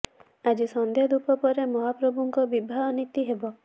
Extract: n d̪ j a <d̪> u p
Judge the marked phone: correct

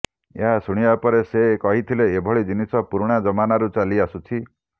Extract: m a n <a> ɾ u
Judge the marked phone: correct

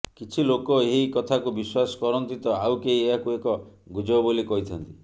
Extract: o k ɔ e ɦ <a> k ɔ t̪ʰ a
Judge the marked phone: incorrect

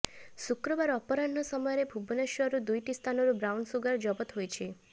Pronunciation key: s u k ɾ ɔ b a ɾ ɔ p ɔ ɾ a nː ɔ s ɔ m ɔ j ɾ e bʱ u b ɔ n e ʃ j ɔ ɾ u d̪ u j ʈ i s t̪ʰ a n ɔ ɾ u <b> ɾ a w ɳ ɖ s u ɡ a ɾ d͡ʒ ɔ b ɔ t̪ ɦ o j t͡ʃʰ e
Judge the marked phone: correct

